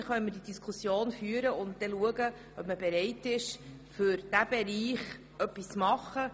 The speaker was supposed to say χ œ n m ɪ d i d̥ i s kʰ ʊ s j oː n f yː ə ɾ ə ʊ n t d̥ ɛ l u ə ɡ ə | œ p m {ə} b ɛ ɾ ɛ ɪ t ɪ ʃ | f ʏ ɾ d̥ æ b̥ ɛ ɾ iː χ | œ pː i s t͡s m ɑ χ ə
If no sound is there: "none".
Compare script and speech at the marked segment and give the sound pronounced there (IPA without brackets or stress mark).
ə